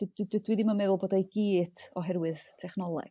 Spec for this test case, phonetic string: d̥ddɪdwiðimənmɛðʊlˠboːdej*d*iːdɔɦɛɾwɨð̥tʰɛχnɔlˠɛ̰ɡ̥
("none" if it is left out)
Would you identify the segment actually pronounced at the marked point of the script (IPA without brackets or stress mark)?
ɡ